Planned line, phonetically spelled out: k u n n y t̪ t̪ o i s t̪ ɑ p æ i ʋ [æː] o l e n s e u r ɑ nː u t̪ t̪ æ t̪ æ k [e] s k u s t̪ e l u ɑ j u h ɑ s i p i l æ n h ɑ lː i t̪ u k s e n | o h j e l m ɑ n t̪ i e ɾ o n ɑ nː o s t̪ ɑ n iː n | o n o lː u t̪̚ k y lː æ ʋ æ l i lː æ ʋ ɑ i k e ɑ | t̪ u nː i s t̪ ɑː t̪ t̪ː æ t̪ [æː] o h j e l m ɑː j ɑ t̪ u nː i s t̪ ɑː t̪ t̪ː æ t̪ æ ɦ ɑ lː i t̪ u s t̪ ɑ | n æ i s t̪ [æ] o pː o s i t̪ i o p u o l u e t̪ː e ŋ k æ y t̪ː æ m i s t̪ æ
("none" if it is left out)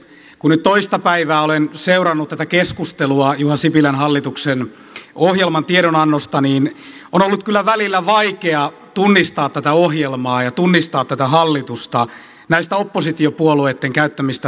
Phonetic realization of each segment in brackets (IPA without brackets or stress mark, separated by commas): æː, e, æ, æ